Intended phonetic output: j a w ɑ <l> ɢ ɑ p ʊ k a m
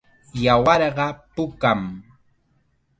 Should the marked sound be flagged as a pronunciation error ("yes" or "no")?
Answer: yes